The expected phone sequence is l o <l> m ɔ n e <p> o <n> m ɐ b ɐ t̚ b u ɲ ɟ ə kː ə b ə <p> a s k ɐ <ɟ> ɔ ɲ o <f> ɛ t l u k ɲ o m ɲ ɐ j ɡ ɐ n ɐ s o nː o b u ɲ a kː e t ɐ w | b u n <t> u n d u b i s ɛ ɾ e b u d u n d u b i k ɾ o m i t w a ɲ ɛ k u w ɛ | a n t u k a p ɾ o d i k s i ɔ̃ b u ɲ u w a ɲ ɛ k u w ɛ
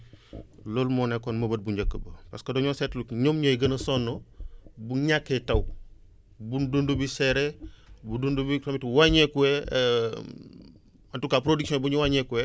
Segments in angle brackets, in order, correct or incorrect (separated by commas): correct, incorrect, correct, correct, incorrect, incorrect, incorrect